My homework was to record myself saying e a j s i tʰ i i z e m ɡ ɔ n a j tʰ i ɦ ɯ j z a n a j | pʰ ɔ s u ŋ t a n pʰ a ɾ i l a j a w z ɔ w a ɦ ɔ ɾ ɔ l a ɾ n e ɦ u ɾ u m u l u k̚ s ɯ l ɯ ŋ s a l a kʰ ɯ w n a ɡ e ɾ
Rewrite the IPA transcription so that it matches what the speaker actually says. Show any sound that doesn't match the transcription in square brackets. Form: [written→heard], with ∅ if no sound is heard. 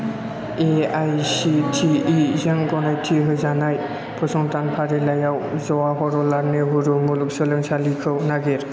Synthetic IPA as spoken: e a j s i tʰ i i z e [m→ŋ] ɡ ɔ n a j tʰ i ɦ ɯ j z a n a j | pʰ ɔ s [u→ɔ] ŋ t a n pʰ a ɾ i l a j a w z ɔ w a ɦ ɔ ɾ ɔ l a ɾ n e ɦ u ɾ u m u l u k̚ s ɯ l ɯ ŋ s a l [a→i] kʰ ɯ w n a ɡ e ɾ

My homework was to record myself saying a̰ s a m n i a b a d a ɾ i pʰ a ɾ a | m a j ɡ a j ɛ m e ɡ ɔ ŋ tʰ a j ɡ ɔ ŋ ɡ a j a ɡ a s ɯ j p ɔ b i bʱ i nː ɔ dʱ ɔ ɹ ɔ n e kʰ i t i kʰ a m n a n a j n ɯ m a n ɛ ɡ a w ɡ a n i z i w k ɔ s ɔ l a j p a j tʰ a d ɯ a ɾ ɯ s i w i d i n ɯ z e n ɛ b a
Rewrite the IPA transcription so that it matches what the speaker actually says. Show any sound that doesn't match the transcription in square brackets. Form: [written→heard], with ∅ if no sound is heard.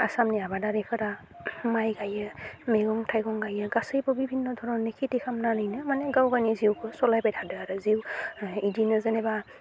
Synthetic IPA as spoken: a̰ s a m n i a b a d a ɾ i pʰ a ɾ a | m a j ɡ a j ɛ m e ɡ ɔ ŋ tʰ a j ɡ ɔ ŋ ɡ a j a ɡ a s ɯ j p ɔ b i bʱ i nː ɔ dʱ ɔ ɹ ɔ n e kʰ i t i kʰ a m n a n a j n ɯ m a n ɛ ɡ a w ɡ a n i z i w k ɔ s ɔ l a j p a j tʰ a d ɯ a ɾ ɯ [s→z] i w i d i n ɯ z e n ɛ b a

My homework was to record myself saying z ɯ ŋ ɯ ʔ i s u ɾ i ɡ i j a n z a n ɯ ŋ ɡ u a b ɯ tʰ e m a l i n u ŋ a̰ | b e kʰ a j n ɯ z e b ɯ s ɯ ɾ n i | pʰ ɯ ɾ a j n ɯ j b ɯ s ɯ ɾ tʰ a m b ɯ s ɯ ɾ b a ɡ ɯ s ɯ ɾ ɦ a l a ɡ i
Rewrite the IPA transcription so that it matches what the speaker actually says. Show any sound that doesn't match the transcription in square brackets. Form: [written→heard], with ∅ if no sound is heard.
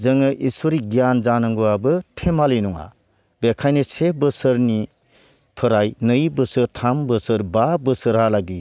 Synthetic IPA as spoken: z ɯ ŋ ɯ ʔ i s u ɾ i ɡ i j a n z a n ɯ ŋ ɡ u a b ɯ tʰ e m a l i n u ŋ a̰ | b e kʰ a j n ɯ [z→s] e b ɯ s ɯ ɾ n i | pʰ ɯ ɾ a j n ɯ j b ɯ s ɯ ɾ tʰ a m b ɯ s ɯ ɾ b a [ɡ→b] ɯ s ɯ ɾ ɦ a l a ɡ i

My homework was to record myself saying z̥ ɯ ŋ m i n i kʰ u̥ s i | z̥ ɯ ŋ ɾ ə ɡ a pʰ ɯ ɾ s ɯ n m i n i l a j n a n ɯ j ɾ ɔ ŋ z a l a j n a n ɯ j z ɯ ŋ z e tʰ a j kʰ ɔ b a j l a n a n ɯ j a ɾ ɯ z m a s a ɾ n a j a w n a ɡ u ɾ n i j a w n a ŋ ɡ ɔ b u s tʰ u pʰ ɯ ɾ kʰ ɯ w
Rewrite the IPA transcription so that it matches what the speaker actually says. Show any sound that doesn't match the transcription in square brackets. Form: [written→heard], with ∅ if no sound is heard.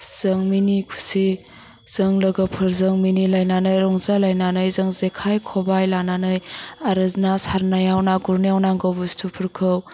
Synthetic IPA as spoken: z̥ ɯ ŋ m i n i kʰ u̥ s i | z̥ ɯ ŋ [ɾ→l] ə ɡ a pʰ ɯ ɾ [s→z] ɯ [n→ŋ] m i n i l a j n a n ɯ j ɾ ɔ ŋ z a l a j n a n ɯ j z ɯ ŋ z e [tʰ→kʰ] a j kʰ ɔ b a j l a n a n ɯ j a ɾ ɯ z [m→n] a s a ɾ n a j a w n a ɡ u ɾ n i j a w n a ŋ ɡ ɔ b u s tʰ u pʰ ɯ ɾ kʰ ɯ w

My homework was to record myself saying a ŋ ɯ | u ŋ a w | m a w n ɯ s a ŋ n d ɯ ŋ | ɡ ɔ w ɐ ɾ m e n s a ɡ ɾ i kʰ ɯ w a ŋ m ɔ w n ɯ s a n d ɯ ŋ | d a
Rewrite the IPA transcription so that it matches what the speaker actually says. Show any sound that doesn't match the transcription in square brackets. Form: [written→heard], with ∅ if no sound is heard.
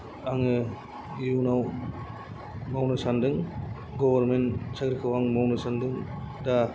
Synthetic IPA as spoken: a ŋ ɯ | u [ŋ→n] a w | m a w n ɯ s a [ŋ→∅] n d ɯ ŋ | ɡ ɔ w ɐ ɾ m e n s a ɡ ɾ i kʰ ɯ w a ŋ m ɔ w n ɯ s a n d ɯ ŋ | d a

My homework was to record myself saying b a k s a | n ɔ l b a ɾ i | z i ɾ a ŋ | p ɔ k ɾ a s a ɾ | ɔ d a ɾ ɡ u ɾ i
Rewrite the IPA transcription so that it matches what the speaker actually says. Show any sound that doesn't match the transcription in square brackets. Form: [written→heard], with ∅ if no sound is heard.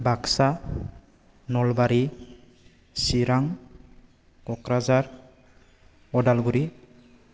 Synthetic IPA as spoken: b a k s a | n ɔ l b a ɾ i | [z→s] i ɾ a ŋ | [p→k] ɔ k ɾ a [s→z] a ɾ | ɔ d a [ɾ→l] ɡ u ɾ i

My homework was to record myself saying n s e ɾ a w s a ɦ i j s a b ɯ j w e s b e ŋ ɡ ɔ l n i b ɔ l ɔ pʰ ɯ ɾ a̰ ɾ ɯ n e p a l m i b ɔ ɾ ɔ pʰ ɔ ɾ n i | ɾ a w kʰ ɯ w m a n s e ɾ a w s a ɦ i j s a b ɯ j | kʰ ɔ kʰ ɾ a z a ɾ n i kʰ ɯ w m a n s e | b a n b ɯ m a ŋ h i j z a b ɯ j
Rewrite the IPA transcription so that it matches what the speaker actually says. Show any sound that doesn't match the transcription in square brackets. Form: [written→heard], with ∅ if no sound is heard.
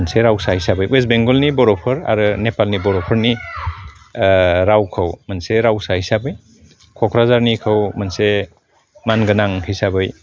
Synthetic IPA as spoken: n s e ɾ a w s a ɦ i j s a b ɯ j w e s b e ŋ ɡ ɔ l n i b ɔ [l→ɾ] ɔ pʰ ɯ ɾ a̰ ɾ ɯ n e p a l [m→n] i b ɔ ɾ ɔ pʰ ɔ ɾ n i | ɾ a w kʰ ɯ w m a n s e ɾ a w s a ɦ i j s a b ɯ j | kʰ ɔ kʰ ɾ a z a ɾ n i kʰ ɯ w m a n s e | [b→m] a n [b→ɡ] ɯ [m→n] a ŋ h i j [z→s] a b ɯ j

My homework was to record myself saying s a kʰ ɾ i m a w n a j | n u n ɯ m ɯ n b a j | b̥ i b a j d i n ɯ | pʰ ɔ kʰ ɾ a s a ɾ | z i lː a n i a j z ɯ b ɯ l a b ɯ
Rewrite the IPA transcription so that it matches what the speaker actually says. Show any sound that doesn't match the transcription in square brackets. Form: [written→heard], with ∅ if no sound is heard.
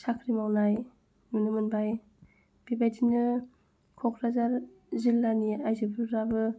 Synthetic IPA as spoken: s a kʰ ɾ i m a w n a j | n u n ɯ m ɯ n b a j | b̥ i b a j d i n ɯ | [pʰ→kʰ] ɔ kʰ ɾ a [s→z] a ɾ | z i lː a n i a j z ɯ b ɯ [l→ɾ] a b ɯ

